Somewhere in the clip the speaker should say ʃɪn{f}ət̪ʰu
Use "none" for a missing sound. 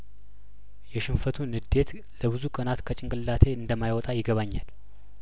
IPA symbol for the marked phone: f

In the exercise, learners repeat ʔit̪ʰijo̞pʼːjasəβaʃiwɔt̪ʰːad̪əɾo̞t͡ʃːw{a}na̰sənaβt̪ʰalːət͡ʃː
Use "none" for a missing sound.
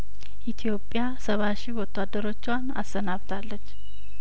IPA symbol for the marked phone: a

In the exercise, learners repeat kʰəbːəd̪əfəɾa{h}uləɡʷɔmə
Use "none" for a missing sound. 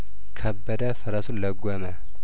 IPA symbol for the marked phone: s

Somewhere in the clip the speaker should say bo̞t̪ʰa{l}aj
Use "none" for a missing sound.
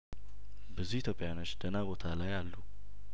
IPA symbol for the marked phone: l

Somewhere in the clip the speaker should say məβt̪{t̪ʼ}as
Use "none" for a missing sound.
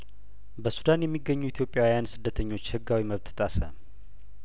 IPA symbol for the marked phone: t̪ʼ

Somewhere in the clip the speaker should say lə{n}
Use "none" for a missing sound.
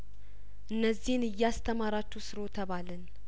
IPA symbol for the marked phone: n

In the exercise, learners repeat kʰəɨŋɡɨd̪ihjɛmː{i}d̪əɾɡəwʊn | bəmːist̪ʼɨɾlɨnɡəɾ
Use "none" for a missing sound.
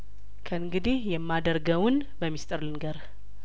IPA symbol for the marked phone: a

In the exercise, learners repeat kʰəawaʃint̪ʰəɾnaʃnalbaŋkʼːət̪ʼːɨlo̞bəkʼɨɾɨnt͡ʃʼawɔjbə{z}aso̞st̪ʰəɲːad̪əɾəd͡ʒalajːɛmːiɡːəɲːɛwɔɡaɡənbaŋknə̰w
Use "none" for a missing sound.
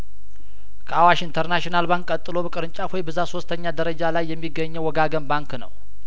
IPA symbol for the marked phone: z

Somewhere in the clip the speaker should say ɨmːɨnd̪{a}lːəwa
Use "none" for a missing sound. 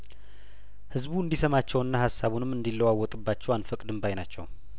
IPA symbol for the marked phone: i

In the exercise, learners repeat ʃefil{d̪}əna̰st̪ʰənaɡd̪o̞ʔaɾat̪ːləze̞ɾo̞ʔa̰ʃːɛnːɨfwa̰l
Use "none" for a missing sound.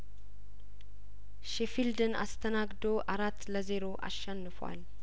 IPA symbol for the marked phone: d̪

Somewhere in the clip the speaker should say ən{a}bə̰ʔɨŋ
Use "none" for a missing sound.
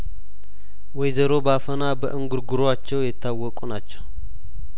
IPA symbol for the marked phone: a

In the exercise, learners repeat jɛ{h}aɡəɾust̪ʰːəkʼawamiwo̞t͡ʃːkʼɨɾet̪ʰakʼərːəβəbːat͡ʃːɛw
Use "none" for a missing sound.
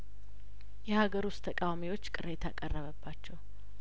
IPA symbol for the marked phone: h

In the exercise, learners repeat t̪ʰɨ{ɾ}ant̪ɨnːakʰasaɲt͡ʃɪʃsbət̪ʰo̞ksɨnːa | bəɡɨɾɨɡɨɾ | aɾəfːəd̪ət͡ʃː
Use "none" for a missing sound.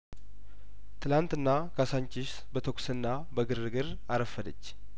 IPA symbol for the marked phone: l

